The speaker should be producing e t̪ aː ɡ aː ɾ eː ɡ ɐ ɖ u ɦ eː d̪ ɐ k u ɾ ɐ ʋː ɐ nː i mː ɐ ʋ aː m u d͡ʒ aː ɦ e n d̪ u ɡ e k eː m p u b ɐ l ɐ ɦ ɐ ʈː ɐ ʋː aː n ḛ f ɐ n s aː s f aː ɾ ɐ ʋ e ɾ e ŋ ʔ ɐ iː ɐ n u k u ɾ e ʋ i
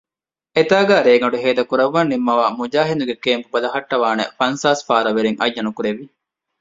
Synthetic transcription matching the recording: e t̪ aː ɡ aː ɾ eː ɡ ɐ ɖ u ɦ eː d̪ ɐ k u ɾ ɐ ʋː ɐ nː i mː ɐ ʋ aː m u d͡ʒ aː ɦ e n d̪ u ɡ e k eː m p u b ɐ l ɐ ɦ ɐ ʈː ɐ ʋ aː n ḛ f ɐ n s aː s f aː ɾ ɐ ʋ e ɾ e ŋ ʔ ɐ jː ɐ n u k u ɾ e ʋ i